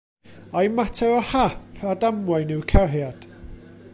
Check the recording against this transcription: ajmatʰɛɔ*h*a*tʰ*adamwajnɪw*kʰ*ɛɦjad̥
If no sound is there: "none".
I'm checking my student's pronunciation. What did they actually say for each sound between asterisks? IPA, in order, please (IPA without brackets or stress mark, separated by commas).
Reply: h, pʰ, kʰ